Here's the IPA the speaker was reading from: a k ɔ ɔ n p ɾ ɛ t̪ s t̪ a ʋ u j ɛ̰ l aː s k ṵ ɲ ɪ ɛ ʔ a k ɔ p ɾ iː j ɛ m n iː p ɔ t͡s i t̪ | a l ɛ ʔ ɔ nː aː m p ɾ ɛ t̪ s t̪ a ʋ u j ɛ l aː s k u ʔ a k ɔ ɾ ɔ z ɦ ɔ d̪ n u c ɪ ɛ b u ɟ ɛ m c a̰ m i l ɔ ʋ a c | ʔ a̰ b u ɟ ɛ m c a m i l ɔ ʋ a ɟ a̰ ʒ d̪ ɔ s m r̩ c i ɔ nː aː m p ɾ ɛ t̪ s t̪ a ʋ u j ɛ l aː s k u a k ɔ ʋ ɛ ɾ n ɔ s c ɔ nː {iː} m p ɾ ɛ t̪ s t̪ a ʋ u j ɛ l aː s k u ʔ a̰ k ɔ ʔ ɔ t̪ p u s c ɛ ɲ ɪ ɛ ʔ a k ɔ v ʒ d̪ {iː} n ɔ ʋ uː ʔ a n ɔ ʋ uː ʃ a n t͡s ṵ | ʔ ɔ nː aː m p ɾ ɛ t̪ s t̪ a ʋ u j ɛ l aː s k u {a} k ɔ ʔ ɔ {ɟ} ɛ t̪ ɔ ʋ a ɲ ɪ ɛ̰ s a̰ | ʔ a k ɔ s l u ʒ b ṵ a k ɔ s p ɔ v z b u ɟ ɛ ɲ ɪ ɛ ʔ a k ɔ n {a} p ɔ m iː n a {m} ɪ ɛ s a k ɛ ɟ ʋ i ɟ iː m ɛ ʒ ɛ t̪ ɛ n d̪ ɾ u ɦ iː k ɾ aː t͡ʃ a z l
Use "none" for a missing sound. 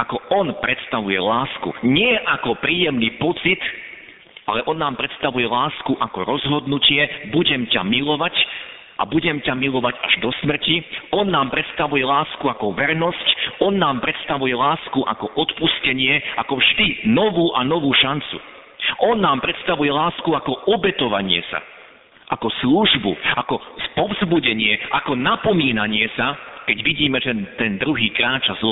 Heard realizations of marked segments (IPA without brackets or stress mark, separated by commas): aː, i, a, b, a, ɲ